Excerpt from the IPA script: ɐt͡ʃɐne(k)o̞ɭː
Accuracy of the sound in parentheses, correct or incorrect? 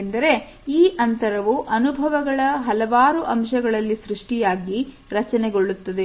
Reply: incorrect